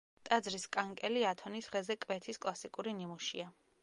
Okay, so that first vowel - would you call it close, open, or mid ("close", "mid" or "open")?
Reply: open